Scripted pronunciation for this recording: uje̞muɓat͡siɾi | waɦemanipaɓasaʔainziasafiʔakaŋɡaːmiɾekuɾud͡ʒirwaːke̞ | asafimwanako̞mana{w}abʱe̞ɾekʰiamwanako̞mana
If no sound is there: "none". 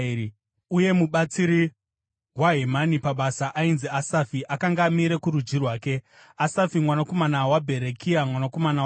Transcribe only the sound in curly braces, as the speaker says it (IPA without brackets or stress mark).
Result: w